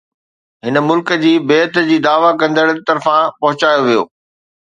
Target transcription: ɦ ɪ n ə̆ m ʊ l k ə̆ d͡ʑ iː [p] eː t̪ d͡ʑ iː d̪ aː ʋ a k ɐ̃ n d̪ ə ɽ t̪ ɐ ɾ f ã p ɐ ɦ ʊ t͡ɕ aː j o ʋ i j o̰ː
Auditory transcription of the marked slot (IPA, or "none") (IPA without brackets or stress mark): b